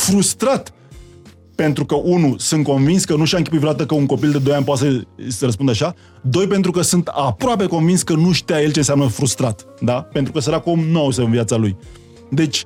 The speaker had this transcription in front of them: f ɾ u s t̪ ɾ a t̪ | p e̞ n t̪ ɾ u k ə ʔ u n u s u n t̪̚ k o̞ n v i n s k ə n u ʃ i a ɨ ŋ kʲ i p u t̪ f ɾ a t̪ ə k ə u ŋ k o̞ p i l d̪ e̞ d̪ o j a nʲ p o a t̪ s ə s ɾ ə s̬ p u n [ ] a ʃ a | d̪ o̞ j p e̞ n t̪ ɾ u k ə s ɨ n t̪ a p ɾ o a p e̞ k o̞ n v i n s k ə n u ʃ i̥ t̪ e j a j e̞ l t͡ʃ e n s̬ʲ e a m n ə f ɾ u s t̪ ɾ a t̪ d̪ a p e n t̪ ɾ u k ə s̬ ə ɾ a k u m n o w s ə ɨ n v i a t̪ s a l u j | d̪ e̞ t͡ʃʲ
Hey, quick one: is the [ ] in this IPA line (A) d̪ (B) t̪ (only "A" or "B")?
A